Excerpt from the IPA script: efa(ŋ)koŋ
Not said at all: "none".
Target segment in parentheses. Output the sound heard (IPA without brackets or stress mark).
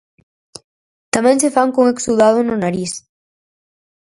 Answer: ŋ